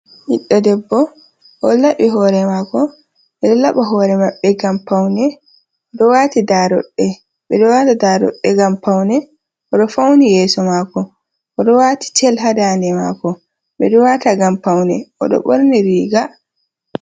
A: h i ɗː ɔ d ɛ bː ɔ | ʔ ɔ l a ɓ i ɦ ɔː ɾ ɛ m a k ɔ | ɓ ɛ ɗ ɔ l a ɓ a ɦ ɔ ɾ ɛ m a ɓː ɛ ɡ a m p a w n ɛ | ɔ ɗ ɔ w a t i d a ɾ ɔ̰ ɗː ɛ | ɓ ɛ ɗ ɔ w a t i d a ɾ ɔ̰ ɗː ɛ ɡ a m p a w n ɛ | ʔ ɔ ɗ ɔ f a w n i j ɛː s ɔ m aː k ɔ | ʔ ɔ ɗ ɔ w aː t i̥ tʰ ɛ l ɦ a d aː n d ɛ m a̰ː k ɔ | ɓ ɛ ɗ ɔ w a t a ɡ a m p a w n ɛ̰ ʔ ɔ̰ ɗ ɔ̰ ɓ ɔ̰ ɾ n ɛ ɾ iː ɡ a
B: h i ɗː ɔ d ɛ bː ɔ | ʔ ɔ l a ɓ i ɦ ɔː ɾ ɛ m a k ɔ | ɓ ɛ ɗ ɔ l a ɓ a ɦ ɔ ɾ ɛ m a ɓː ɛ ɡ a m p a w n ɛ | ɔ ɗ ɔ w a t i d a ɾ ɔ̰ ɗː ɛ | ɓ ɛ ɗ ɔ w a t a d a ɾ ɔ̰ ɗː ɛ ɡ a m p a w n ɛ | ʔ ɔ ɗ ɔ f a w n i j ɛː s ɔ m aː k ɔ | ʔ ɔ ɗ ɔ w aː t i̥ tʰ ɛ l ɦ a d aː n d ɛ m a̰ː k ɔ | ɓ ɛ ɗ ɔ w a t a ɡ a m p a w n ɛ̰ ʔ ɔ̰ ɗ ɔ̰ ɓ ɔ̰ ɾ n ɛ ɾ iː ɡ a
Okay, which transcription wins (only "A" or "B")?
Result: B